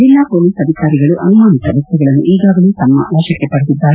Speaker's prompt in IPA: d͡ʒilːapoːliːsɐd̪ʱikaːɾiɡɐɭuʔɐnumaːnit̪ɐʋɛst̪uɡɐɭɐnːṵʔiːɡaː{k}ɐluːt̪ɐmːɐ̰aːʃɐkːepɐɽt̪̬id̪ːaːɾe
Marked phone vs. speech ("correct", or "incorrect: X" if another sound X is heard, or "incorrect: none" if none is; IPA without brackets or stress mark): incorrect: ɡ